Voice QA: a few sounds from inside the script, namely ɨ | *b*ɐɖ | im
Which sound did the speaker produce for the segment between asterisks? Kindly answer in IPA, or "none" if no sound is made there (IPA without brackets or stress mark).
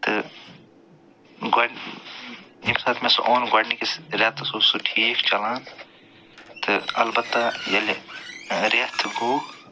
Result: ɡ